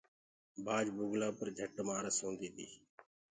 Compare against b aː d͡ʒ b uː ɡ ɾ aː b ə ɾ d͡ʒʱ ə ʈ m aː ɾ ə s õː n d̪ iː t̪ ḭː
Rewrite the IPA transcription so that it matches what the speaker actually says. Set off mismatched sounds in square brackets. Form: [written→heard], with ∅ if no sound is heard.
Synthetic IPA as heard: b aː d͡ʒ b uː ɡ [ɾ→l] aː [b→p] ə ɾ d͡ʒʱ ə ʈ m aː ɾ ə s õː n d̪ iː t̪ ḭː